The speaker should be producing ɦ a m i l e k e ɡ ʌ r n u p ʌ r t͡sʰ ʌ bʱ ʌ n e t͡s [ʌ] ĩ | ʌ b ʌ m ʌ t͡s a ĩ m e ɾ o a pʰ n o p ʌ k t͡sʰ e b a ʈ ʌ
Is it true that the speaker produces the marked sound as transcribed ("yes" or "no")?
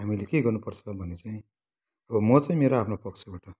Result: no